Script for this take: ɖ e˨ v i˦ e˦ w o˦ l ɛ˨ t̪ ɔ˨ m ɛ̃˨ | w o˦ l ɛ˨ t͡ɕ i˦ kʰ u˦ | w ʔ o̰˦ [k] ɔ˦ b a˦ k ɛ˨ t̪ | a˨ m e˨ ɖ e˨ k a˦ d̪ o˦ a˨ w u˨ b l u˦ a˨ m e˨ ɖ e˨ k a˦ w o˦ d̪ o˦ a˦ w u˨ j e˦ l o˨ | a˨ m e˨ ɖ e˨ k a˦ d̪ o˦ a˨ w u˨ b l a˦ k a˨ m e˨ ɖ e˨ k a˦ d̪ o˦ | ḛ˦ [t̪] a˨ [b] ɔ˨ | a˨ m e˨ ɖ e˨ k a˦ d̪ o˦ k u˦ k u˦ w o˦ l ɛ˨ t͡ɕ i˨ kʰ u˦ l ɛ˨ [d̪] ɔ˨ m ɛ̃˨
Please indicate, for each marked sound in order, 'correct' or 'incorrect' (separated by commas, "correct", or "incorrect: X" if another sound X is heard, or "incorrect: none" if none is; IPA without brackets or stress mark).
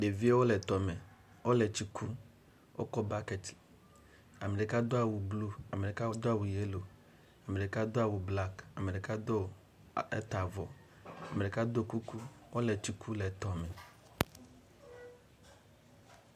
correct, correct, incorrect: v, incorrect: t̪